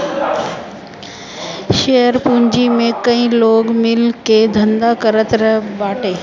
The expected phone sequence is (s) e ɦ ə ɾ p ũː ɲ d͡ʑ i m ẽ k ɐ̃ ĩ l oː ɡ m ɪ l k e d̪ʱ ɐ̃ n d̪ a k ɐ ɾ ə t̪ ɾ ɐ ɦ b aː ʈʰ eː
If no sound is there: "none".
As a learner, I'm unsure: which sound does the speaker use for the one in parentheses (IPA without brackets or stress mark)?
ʃ